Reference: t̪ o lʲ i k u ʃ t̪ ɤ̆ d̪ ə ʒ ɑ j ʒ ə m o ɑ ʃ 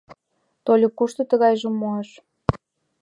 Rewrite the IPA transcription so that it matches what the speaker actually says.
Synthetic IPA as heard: t̪ o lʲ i k u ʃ t̪ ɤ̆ t̪ ə ɣ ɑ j ʒ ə m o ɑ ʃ